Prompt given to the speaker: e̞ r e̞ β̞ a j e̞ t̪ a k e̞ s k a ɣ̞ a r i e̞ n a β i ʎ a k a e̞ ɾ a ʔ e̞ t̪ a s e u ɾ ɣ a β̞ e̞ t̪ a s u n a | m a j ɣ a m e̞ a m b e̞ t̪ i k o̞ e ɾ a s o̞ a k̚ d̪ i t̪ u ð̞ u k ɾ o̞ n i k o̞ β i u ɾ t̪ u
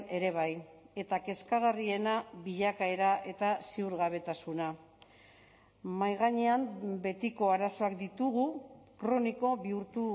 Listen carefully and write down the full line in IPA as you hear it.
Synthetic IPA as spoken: e̞ ɾ e̞ β̞ a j e̞ t̪ a k e̞ s k a ɣ̞ a r i e̞ n a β i ʎ a k a e̞ ɾ a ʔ e̞ t̪ a s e u ɾ ɣ a β̞ e̞ t̪ a s u n a | m a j ɣ a ɲ e̞ a m b e̞ t̪ i k o̞ a ɾ a s o̞ a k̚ d̪ i t̪ u ɣ̞ u k ɾ o̞ n i k o̞ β i u ɾ t̪ u